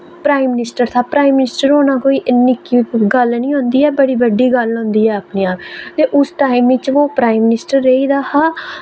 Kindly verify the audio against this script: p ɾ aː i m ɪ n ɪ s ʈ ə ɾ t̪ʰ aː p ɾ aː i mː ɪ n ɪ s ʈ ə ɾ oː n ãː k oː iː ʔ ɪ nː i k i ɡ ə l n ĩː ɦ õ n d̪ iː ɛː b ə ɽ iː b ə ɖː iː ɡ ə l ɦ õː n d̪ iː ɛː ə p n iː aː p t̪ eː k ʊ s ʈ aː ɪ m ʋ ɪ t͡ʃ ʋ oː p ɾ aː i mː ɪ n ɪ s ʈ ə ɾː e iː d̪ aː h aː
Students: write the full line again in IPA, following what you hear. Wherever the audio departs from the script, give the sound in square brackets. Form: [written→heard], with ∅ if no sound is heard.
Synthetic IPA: p ɾ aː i m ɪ n ɪ s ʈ ə ɾ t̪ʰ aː p ɾ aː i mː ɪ n ɪ s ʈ ə ɾ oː n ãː k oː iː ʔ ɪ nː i k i ɡ ə l n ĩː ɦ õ n d̪ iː ɛː b ə ɽ iː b ə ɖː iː ɡ ə l ɦ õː n d̪ iː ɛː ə p n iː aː p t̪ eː [k→ʔ] ʊ s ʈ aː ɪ m ʋ ɪ t͡ʃ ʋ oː p ɾ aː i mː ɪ n ɪ s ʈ ə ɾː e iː d̪ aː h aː